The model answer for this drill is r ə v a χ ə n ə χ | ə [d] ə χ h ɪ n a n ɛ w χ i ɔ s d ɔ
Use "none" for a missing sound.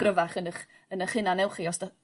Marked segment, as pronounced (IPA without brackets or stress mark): n